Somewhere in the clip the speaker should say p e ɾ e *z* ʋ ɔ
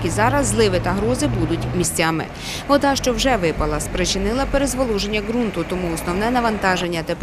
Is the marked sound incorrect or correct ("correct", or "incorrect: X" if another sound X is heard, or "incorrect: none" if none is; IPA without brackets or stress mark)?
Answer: correct